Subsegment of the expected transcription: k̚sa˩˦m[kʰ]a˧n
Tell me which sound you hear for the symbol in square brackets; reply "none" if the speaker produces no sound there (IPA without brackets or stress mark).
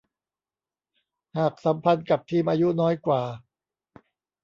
pʰ